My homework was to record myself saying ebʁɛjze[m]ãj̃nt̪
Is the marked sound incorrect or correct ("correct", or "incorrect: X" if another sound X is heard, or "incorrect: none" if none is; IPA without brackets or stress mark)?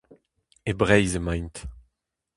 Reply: correct